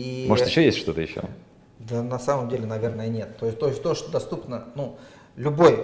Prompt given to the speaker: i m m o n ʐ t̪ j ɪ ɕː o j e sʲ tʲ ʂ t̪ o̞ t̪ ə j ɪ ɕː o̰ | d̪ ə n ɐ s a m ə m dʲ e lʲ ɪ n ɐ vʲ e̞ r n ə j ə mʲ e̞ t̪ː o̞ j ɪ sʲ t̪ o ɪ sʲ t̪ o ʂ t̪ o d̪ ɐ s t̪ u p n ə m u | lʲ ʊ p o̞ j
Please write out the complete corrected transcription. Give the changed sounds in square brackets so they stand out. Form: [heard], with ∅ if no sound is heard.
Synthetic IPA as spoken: i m m o [∅] ʐ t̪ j ɪ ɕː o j e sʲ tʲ ʂ t̪ o̞ t̪ ə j ɪ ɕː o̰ | d̪ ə n ɐ s a m ə m dʲ e lʲ ɪ n ɐ vʲ e̞ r n ə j ə [nʲ] e̞ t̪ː o̞ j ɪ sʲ t̪ o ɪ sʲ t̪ o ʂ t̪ o d̪ ɐ s t̪ u p n ə [n] u | lʲ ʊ [b] o̞ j

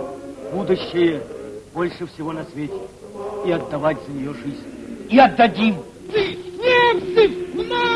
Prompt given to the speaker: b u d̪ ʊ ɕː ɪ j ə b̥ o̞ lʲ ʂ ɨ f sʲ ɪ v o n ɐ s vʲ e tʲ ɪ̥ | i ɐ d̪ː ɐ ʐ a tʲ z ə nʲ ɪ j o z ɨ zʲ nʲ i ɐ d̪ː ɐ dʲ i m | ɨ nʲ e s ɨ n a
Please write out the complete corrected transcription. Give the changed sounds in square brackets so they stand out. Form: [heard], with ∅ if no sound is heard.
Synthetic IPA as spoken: b u d̪ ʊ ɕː ɪ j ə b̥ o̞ lʲ ʂ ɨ f sʲ ɪ v o n ɐ s vʲ e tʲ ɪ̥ | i ɐ d̪ː ɐ [v] a tʲ z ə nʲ ɪ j o [ʐ] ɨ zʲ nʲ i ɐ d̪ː ɐ dʲ i m | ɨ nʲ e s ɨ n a

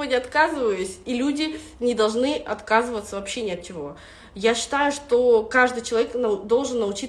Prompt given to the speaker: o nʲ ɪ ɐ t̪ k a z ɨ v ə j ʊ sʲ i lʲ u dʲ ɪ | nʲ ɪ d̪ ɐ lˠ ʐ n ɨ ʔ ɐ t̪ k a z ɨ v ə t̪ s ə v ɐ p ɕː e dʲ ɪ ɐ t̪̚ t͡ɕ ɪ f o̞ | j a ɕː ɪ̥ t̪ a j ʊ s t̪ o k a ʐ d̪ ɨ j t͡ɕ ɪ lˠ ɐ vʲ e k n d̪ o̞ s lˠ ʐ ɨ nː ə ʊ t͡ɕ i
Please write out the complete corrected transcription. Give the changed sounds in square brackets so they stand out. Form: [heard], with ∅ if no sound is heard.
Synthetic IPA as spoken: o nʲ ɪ ɐ t̪ k a z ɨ v ə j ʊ sʲ i lʲ u dʲ ɪ | nʲ ɪ d̪ ɐ lˠ ʐ n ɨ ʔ ɐ t̪ k a z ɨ v ə t̪ s ə v ɐ p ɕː e [nʲ] ɪ ɐ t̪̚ t͡ɕ ɪ [v] o̞ | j a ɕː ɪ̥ t̪ a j ʊ [ʂ] t̪ o k a ʐ d̪ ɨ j t͡ɕ ɪ lˠ ɐ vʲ e k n d̪ o̞ [∅] lˠ ʐ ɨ nː ə ʊ t͡ɕ i

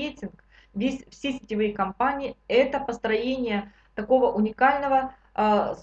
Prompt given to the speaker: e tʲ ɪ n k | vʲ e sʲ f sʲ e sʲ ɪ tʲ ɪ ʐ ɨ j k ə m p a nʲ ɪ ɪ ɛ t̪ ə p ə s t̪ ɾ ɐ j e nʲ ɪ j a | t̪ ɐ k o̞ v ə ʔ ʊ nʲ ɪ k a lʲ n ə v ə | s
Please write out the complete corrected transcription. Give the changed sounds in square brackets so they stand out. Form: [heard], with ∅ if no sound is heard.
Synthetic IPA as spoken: e tʲ ɪ n k | vʲ e sʲ f sʲ e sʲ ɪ tʲ ɪ [v] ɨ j k [ɐ] m p a nʲ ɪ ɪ ɛ t̪ ə p ə s t̪ ɾ ɐ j e nʲ ɪ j [ə] | t̪ ɐ k o̞ v ə ʔ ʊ nʲ ɪ k a lʲ n ə v ə | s

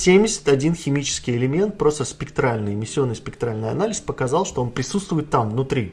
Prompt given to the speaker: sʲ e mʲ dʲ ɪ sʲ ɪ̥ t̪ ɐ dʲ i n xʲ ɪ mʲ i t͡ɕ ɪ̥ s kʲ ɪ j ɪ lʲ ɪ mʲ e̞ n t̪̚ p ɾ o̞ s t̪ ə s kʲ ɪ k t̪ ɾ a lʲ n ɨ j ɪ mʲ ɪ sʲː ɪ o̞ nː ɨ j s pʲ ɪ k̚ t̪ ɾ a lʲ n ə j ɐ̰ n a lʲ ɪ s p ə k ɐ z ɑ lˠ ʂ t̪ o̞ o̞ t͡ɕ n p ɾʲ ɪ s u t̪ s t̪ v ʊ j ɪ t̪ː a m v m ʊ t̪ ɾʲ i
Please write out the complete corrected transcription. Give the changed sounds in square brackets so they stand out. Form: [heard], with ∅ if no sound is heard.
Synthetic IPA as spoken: sʲ e mʲ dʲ ɪ sʲ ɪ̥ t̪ ɐ dʲ i n xʲ ɪ mʲ i t͡ɕ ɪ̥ s kʲ ɪ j ɪ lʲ ɪ mʲ e̞ n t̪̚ p ɾ o̞ s t̪ ə s [pʲ] ɪ k t̪ ɾ a lʲ n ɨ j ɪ mʲ ɪ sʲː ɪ o̞ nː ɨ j s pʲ ɪ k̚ t̪ ɾ a lʲ n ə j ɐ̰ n a lʲ ɪ s p ə k ɐ z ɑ lˠ ʂ t̪ o̞ o̞ [∅] n p ɾʲ ɪ s u t̪ s t̪ v ʊ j ɪ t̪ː a m v [n] ʊ t̪ ɾʲ i

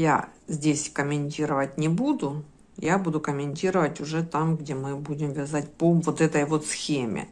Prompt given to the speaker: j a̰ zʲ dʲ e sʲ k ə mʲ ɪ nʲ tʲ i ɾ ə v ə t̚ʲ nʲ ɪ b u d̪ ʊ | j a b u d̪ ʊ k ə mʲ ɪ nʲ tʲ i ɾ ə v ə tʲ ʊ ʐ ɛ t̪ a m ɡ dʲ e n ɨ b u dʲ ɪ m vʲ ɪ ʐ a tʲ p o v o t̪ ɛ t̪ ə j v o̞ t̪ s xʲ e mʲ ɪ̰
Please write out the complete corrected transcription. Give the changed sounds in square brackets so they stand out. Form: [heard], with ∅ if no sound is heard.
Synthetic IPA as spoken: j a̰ zʲ dʲ e sʲ k ə mʲ ɪ nʲ tʲ i ɾ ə v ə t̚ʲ nʲ ɪ b u d̪ ʊ | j a b u d̪ ʊ k ə mʲ ɪ nʲ tʲ i ɾ ə v ə tʲ ʊ ʐ ɛ t̪ a m ɡ dʲ e [m] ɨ b u dʲ ɪ m vʲ ɪ [z] a tʲ p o v o t̪ ɛ t̪ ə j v o̞ t̪ s xʲ e mʲ ɪ̰

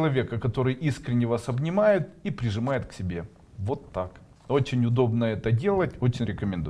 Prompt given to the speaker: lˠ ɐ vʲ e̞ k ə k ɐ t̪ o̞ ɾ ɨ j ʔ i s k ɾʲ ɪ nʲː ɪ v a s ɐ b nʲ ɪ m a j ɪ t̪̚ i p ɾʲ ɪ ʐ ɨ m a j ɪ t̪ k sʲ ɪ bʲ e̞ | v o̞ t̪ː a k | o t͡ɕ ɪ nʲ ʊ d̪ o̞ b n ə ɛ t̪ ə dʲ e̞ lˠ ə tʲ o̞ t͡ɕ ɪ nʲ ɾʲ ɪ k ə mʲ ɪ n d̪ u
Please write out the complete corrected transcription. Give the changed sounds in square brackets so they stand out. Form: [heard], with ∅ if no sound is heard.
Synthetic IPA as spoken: lˠ ɐ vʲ e̞ k ə k ɐ t̪ o̞ ɾ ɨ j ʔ i s k ɾʲ ɪ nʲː ɪ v a s ɐ b nʲ ɪ m a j ɪ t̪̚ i p ɾʲ ɪ ʐ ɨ m a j ɪ t̪ k sʲ ɪ bʲ e̞ | v o̞ t̪ː a k | o t͡ɕ ɪ nʲ ʊ d̪ o̞ b n ə ɛ t̪ ə dʲ e̞ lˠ ə tʲ o̞ t͡ɕ ɪ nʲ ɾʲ ɪ k ə mʲ ɪ n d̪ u

